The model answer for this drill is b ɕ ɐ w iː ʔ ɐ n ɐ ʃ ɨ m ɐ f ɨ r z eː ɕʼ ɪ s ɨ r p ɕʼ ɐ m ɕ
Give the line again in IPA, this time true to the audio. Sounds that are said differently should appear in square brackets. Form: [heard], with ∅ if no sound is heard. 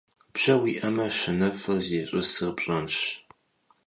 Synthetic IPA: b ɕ ɐ w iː ʔ ɐ [m] ɐ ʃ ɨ [n] ɐ f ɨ r z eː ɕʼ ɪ s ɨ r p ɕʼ ɐ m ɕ